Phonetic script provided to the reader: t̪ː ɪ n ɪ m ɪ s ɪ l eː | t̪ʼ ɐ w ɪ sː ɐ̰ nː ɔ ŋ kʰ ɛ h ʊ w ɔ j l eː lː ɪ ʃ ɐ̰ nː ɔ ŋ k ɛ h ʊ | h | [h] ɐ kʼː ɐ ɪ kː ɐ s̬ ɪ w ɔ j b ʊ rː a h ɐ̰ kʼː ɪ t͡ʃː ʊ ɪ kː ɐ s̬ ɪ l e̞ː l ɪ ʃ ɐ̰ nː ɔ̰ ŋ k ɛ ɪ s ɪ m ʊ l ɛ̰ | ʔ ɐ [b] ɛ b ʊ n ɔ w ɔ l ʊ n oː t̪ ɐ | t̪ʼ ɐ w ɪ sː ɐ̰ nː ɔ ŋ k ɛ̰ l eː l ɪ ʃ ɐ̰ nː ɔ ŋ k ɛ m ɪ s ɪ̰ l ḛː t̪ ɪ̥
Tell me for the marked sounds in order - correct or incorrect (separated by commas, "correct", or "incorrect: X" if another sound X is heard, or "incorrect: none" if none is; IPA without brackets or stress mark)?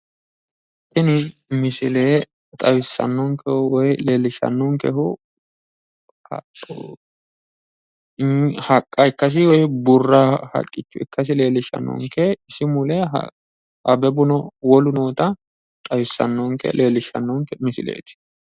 correct, correct